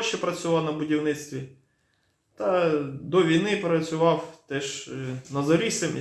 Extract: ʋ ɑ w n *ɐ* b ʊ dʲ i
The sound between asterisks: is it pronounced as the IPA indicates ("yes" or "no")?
yes